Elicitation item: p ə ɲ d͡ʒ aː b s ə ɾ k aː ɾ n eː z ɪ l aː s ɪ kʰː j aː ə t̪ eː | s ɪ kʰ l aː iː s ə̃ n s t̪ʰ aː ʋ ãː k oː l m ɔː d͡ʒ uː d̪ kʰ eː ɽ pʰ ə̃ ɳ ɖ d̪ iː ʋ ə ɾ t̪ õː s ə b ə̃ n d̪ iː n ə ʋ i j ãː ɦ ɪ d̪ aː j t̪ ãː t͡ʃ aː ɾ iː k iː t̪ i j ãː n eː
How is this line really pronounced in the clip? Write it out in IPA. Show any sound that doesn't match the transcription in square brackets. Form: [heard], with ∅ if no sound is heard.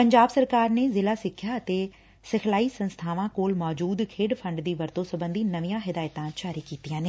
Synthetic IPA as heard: p ə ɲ d͡ʒ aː b s ə ɾ k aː ɾ n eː z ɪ l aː s ɪ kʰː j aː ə t̪ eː | s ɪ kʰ l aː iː s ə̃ n s t̪ʰ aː ʋ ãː k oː l m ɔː d͡ʒ uː d̪ kʰ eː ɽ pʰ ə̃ ɳ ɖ d̪ iː ʋ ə ɾ t̪ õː s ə b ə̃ n d̪ iː n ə ʋ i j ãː ɦ ɪ d̪ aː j t̪ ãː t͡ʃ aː ɾ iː k iː t̪ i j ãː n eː